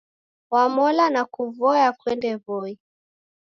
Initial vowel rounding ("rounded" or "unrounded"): unrounded